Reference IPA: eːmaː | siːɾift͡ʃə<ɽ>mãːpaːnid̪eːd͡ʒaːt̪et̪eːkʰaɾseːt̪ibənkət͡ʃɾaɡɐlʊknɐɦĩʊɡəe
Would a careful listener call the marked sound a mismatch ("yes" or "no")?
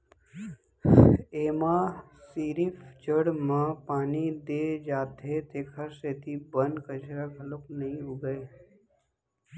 no